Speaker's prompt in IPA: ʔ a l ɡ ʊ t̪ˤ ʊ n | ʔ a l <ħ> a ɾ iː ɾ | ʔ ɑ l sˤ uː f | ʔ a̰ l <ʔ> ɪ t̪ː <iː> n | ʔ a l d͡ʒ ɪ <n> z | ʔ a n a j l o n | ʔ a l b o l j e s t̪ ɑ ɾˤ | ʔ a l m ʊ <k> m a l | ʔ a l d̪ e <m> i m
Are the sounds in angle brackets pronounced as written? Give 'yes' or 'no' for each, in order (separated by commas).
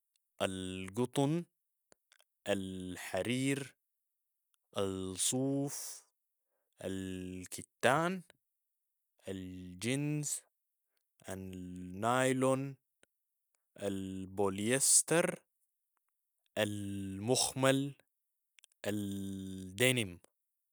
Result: yes, no, no, yes, no, no